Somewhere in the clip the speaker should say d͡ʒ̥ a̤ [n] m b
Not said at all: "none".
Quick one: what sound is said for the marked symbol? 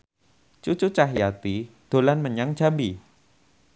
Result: none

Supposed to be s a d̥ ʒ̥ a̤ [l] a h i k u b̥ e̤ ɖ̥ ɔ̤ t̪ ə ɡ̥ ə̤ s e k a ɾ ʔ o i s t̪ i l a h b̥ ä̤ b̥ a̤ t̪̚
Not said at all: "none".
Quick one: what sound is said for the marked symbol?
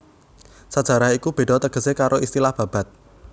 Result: ɾ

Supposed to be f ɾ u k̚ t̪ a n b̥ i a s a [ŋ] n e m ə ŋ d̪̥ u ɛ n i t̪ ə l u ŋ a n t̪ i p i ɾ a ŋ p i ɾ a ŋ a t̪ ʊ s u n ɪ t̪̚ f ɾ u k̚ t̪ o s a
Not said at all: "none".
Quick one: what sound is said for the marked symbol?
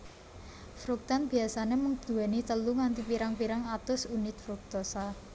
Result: none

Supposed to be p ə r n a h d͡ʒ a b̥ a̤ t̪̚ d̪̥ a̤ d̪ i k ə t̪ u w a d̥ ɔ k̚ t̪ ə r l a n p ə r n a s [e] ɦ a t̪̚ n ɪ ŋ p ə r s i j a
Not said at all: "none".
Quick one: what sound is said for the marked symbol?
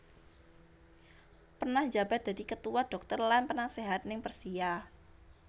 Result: e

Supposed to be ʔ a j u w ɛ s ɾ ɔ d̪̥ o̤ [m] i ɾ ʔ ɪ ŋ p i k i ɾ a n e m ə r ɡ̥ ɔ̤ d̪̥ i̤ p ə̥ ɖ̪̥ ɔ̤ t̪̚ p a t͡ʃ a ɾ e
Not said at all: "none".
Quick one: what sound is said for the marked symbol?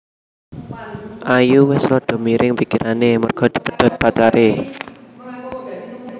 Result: m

